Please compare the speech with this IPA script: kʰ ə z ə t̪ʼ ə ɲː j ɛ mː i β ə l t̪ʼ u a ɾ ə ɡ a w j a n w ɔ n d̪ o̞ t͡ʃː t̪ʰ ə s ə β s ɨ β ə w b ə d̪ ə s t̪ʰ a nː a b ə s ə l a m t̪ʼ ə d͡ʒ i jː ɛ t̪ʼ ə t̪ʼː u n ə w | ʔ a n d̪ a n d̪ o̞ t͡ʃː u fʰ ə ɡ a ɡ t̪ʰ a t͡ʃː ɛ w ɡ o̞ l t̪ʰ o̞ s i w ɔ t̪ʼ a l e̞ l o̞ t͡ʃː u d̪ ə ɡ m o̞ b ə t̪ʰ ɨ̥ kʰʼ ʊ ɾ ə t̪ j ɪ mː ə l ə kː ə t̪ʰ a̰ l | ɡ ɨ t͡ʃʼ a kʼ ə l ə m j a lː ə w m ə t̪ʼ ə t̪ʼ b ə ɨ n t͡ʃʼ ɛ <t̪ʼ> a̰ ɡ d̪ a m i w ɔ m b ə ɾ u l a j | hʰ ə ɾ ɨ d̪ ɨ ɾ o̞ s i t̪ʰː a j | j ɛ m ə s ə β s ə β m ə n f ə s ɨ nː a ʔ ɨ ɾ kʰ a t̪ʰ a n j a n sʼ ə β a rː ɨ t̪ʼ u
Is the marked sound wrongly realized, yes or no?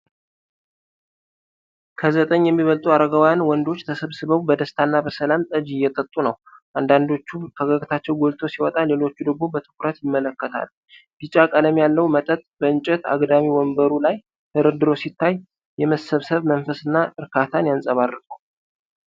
yes